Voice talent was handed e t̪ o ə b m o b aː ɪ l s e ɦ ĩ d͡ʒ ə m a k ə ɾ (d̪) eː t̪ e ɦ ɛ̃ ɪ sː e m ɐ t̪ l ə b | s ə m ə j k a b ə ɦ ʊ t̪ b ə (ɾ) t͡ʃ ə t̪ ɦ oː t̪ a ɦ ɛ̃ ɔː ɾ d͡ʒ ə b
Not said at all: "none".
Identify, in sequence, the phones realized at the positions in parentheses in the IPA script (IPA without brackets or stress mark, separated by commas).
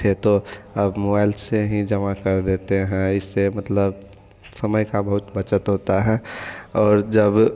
d̪, none